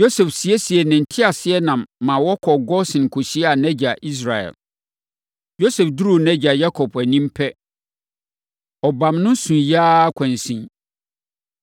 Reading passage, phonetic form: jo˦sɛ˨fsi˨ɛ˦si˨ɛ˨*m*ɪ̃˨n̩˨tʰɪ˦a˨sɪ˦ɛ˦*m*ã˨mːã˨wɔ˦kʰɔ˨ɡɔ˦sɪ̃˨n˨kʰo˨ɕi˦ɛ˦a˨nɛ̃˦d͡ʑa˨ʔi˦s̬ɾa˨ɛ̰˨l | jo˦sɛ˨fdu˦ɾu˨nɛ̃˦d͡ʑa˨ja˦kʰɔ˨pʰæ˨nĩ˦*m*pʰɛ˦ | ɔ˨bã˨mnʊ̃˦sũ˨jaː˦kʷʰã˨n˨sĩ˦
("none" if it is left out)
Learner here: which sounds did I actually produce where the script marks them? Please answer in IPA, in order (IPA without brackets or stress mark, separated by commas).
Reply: n, n, m